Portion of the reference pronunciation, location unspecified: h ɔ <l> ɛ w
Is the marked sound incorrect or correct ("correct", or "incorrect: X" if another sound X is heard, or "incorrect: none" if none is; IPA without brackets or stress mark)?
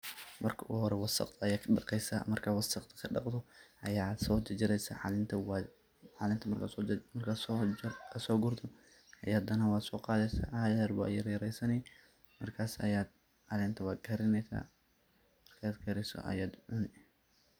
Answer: incorrect: ɾ